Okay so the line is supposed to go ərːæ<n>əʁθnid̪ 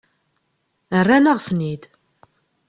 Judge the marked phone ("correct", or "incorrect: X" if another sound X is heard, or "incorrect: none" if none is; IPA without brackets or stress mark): correct